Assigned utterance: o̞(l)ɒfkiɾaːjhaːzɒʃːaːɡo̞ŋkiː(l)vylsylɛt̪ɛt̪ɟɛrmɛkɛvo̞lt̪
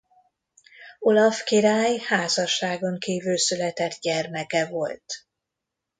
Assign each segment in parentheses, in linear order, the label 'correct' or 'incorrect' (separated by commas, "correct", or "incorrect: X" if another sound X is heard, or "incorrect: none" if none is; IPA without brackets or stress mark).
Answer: correct, incorrect: none